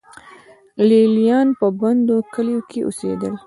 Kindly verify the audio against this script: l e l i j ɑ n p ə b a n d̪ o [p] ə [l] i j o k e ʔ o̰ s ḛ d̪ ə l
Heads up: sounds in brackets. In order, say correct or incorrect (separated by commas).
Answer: incorrect, correct